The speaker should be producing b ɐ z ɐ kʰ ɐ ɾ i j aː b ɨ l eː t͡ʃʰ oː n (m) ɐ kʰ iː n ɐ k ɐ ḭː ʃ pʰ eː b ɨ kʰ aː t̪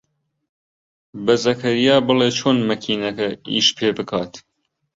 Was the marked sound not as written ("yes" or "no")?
no